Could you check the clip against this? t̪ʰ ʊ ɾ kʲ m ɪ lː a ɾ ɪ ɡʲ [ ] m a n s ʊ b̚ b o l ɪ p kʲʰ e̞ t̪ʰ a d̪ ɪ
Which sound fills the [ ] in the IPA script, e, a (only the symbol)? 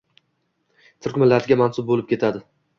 a